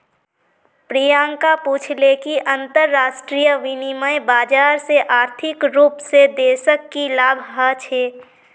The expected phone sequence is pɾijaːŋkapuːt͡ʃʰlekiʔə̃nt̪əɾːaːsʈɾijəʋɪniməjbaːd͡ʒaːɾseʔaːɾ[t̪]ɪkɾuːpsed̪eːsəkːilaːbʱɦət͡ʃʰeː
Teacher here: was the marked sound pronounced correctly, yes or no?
no